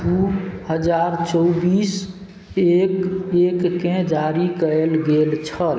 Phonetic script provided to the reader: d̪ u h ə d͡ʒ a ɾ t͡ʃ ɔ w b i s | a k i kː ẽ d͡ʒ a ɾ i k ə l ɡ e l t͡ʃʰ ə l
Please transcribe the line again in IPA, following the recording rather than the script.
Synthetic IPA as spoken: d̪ u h ə d͡ʒ a ɾ t͡ʃ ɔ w b i s | e k e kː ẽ d͡ʒ a ɾ i k ə l ɡ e l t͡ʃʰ ə l